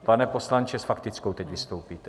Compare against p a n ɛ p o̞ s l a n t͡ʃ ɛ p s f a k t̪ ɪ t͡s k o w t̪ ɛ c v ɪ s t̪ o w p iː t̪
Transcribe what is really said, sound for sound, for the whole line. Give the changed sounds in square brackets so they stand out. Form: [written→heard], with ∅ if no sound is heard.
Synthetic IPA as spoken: p a n ɛ p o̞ s l a n t͡ʃ ɛ [p→∅] s f a k t̪ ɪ t͡s k o w t̪ ɛ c v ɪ s t̪ o w p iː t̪